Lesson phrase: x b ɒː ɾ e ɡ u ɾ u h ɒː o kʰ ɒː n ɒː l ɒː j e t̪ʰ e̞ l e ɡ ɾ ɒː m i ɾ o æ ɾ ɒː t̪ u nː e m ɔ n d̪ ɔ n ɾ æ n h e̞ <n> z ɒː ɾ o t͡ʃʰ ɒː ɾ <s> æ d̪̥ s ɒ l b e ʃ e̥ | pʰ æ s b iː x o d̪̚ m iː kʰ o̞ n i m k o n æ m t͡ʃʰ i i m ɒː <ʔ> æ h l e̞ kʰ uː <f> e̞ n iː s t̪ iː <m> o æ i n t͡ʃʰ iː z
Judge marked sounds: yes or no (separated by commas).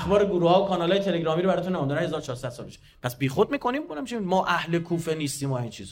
no, yes, yes, yes, yes